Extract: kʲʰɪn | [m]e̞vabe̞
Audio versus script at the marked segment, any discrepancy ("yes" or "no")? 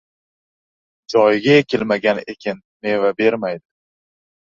no